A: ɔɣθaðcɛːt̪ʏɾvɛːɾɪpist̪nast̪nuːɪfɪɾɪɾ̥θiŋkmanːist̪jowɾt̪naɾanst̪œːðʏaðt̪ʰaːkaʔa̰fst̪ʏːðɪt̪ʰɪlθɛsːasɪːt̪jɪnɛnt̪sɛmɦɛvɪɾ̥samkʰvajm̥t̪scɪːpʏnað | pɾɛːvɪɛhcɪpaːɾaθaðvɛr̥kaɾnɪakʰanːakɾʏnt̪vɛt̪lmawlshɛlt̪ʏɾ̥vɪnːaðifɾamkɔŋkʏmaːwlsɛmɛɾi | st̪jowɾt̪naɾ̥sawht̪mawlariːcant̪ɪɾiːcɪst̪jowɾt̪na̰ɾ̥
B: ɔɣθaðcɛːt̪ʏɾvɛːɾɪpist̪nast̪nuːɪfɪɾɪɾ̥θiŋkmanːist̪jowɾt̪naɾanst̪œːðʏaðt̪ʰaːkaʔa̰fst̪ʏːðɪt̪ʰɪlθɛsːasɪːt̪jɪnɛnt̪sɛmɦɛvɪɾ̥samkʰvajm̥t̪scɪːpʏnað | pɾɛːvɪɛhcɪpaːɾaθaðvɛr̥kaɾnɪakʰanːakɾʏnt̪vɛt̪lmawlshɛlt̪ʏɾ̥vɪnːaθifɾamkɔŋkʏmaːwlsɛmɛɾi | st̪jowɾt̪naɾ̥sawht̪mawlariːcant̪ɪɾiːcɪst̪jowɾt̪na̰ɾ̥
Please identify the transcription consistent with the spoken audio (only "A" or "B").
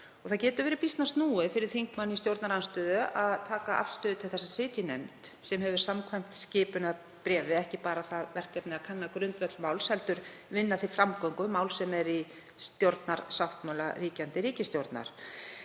B